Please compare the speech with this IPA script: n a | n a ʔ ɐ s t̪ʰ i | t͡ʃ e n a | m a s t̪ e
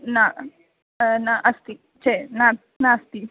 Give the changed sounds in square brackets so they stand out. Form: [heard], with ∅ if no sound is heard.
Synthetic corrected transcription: n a | n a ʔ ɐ s [t̪] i | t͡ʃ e n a | [n] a s t̪ [i]

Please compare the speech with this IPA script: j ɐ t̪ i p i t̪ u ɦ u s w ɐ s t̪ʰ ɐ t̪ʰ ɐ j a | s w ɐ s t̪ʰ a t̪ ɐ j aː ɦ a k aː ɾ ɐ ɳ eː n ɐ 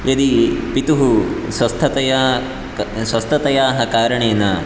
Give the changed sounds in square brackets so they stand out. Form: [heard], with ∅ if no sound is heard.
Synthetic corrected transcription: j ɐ [d̪] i p i t̪ u ɦ u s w ɐ s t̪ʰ ɐ [t̪] ɐ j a | s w ɐ s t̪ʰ [ɐ] t̪ ɐ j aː ɦ [ɐ] k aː ɾ ɐ ɳ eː n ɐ

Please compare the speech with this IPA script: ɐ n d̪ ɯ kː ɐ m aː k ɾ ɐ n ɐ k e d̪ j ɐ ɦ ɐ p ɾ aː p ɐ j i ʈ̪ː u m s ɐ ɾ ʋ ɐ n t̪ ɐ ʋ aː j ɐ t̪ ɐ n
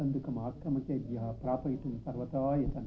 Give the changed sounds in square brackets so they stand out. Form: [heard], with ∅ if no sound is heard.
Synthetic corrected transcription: ɐ n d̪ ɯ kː ɐ m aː k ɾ ɐ [m] ɐ k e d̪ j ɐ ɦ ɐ p ɾ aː p ɐ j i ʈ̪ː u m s ɐ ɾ ʋ ɐ [∅] t̪ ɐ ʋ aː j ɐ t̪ ɐ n

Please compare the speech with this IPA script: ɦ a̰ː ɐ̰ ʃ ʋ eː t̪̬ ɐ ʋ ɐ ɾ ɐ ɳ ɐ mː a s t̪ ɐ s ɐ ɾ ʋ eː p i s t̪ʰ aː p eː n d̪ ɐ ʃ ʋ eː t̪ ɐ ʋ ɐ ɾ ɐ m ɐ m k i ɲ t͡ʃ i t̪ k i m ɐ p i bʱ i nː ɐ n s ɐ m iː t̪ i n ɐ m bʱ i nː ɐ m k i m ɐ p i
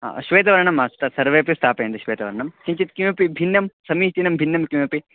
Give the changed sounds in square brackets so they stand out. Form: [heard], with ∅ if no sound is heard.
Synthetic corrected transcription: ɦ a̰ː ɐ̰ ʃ ʋ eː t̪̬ ɐ ʋ ɐ ɾ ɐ ɳ ɐ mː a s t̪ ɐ s ɐ ɾ ʋ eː p i s t̪ʰ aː p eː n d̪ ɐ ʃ ʋ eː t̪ ɐ ʋ ɐ ɾ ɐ [ɳ] ɐ m k i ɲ t͡ʃ i t̪ k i m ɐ p i bʱ i nː ɐ [m] s ɐ m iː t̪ i n ɐ m bʱ i nː ɐ m k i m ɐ p i

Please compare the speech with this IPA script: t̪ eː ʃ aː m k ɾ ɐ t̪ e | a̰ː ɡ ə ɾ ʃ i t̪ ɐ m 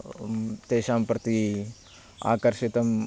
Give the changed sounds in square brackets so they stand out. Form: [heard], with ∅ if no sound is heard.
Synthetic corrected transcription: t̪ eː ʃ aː m [p] ɾ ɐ t̪ [i] | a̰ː [k] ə ɾ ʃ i t̪ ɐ m

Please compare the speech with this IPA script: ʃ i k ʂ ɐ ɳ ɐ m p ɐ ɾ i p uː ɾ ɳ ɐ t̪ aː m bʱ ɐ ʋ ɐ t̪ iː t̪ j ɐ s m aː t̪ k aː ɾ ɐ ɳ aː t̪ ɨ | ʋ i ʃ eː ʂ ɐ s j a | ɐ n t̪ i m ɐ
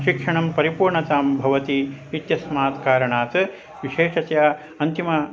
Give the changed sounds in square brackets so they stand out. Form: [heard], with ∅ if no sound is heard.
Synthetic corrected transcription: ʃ i k ʂ ɐ ɳ ɐ m p ɐ ɾ i p uː ɾ ɳ ɐ t̪ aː m bʱ ɐ ʋ ɐ t̪ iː t̪ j ɐ s m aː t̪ k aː ɾ ɐ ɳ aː t̪ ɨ | ʋ i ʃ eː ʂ ɐ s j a | ɐ n t̪ i m ɐ

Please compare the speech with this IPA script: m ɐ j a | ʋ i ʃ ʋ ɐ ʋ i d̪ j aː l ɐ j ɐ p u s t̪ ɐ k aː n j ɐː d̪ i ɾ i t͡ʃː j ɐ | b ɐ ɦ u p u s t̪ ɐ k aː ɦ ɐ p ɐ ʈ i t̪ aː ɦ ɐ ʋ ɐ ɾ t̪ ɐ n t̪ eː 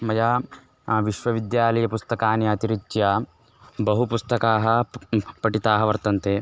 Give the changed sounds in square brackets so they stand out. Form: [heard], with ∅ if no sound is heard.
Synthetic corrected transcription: m ɐ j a | ʋ i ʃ ʋ ɐ ʋ i d̪ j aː l ɐ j ɐ p u s t̪ ɐ k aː n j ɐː [t̪] i ɾ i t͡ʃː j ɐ | b ɐ ɦ u p u s t̪ ɐ k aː ɦ ɐ p ɐ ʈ i t̪ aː ɦ ɐ ʋ ɐ ɾ t̪ ɐ n t̪ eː

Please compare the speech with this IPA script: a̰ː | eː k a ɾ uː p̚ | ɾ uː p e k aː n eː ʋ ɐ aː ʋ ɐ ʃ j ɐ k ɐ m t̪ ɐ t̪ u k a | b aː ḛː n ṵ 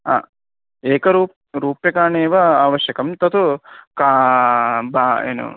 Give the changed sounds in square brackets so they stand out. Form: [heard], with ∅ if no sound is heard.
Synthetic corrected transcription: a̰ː | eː k [ɐ] ɾ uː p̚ | ɾ uː p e k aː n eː ʋ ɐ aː ʋ ɐ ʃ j ɐ k ɐ m t̪ ɐ t̪ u k a | b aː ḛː n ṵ

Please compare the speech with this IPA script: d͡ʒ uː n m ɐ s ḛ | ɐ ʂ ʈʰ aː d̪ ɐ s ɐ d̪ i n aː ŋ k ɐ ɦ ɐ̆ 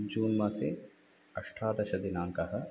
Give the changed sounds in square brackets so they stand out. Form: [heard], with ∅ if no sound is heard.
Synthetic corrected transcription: d͡ʒ uː n m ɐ s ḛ | ɐ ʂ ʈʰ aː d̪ ɐ [ʃ] ɐ d̪ i n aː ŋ k ɐ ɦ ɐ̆

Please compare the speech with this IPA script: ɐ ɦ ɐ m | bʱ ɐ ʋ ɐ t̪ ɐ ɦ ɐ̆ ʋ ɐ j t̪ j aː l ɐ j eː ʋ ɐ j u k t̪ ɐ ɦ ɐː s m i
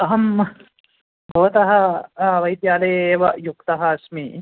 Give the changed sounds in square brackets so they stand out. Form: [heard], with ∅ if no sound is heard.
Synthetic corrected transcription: ɐ ɦ ɐ m | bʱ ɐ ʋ ɐ t̪ ɐ ɦ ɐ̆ ʋ ɐ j t̪ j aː l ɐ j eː ʋ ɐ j u k t̪ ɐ ɦ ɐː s m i

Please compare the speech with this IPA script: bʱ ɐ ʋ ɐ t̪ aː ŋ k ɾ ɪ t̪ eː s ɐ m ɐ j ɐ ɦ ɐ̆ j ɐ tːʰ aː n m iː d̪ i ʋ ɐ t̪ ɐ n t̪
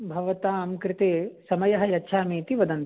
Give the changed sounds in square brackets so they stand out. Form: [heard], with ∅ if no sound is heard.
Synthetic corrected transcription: bʱ ɐ ʋ ɐ t̪ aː [m] k ɾ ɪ t̪ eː s ɐ m ɐ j ɐ ɦ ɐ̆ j ɐ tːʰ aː [∅] m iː [t̪] i ʋ ɐ [d̪] ɐ n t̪

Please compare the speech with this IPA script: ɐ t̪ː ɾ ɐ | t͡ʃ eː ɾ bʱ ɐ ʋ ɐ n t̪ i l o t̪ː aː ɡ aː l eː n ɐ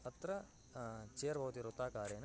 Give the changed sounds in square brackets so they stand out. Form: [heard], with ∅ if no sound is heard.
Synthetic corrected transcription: ɐ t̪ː ɾ ɐ | t͡ʃ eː ɾ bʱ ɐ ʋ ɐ [∅] t̪ i [ɾ] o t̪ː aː [k] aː [ɾ] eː n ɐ

